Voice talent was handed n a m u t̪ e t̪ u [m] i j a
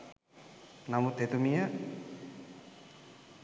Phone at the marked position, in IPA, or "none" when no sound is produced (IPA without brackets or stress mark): m